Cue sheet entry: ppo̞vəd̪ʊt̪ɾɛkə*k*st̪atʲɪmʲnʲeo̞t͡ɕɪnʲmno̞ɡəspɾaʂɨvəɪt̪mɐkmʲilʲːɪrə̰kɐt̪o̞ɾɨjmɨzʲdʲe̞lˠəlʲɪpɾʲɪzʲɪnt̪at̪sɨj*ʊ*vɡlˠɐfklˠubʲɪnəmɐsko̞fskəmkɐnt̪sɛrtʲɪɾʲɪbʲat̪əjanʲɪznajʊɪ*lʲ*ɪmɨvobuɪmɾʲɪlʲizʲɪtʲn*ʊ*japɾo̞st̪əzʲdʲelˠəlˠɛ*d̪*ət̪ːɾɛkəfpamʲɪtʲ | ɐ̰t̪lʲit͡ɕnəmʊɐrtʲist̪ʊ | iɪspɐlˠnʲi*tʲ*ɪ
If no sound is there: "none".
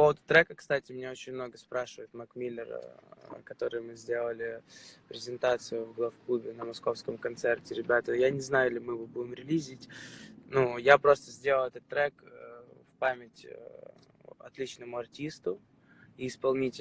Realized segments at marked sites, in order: k, ʊ, lʲ, u, t̪, tʲ

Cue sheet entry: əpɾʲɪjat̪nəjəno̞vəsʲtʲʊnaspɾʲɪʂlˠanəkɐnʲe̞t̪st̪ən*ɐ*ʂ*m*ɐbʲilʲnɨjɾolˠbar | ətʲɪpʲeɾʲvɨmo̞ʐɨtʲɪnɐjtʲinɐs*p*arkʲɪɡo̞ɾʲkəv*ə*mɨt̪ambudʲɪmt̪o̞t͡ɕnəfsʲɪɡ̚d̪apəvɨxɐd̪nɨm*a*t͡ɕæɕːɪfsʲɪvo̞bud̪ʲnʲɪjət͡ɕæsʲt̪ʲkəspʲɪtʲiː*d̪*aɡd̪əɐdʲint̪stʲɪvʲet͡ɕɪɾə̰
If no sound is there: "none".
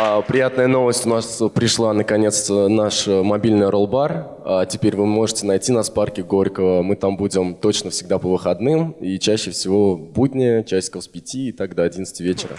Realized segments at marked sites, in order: a, m, p, ə, i, t̪

